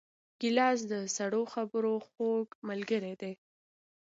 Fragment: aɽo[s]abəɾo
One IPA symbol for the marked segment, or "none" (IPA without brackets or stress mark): x